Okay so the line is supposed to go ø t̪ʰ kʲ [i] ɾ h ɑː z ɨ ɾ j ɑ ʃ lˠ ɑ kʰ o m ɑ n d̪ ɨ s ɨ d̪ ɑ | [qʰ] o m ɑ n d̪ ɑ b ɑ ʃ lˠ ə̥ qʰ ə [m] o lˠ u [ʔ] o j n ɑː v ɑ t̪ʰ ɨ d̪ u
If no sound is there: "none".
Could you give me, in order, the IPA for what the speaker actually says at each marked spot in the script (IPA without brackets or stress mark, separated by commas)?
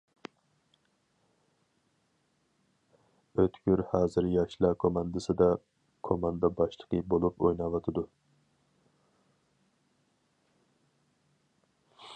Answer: y, kʰ, b, p